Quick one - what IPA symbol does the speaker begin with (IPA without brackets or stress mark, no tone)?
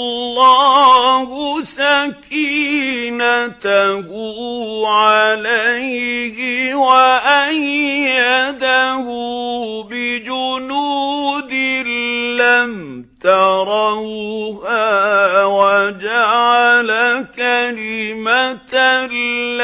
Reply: lː